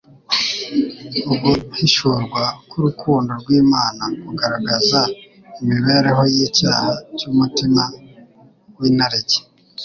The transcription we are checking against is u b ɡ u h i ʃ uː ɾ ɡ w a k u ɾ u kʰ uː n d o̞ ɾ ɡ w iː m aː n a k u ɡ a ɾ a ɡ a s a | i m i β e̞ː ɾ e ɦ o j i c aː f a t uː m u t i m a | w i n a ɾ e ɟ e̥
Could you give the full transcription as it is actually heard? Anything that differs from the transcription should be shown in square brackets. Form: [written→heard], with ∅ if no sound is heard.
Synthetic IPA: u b ɡ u h i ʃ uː ɾ ɡ w a k u ɾ u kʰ uː n d o̞ ɾ ɡ w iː m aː n a k u ɡ a ɾ a ɡ a [s→z] a | i m i β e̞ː ɾ e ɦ o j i c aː [f→h] a [t→c] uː m u t i m a | w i n a ɾ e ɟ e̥